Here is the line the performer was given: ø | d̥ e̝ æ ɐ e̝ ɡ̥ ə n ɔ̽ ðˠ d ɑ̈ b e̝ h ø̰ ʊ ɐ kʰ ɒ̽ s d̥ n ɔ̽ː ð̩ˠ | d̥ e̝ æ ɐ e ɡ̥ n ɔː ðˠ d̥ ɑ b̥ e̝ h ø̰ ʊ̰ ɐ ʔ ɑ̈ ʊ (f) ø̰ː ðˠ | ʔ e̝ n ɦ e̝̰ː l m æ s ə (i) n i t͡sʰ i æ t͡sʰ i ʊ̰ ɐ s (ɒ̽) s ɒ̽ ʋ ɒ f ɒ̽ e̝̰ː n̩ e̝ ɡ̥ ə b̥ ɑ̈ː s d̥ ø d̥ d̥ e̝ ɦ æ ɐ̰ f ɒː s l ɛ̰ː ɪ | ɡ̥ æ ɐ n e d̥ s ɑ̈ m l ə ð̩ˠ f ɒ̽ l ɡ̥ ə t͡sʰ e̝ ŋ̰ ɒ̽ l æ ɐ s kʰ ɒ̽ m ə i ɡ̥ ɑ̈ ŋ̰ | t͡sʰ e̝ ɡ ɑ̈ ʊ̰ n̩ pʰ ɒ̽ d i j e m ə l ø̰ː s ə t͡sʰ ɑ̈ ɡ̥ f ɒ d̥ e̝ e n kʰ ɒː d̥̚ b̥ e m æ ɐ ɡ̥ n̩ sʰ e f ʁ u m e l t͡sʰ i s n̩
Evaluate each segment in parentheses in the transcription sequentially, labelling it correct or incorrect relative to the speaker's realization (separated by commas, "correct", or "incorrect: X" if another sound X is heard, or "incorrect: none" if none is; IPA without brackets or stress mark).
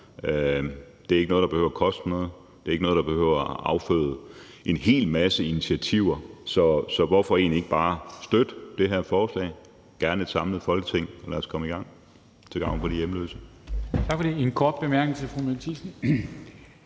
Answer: correct, correct, correct